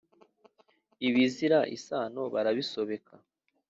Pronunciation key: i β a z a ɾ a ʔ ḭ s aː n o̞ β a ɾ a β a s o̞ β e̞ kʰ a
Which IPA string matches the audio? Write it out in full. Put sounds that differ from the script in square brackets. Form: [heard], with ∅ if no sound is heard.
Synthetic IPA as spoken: i β [i] z [i] ɾ a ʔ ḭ s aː n o̞ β a ɾ a β [i] s o̞ β e̞ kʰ a